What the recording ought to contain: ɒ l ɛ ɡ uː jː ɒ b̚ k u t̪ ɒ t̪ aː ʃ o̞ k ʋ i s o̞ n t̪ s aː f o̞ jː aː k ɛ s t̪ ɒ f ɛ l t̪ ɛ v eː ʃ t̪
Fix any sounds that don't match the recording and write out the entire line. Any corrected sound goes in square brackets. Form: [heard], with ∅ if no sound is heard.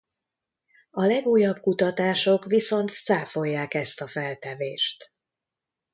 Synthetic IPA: ɒ l ɛ ɡ uː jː ɒ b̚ k u t̪ ɒ t̪ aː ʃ o̞ k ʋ i s o̞ n t̪ s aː f o̞ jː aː k ɛ s t̪ ɒ f ɛ l t̪ ɛ v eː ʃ t̪